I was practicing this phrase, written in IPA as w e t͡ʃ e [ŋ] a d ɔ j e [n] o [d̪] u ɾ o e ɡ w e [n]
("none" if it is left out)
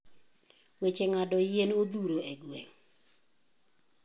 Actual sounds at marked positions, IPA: ŋ, n, d̪, ŋ

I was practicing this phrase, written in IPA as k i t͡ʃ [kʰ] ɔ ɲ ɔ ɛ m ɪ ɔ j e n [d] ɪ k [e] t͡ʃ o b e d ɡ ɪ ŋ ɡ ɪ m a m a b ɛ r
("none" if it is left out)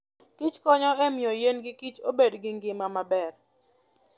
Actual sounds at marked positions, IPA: k, ɡ, i

